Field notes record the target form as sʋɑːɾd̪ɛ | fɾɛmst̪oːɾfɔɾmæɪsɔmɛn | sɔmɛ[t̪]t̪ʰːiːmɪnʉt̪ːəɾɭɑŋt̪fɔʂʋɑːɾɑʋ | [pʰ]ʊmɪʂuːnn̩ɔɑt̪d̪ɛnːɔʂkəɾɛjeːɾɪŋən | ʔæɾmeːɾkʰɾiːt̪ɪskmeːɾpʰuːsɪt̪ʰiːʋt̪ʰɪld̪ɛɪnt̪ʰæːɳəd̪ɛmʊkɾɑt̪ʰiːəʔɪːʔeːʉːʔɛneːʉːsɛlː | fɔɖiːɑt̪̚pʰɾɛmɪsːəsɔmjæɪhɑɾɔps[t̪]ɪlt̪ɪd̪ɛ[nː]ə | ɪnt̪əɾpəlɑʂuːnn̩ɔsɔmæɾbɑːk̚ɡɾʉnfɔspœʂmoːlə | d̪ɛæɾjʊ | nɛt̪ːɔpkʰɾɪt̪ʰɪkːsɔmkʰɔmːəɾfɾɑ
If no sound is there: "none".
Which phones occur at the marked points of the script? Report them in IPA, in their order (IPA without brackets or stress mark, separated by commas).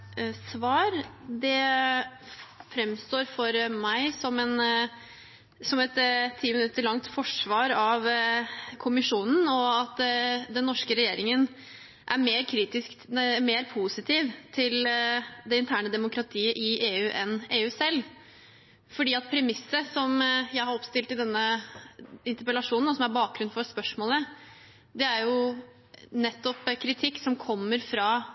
t̪, kʰ, t̪, nː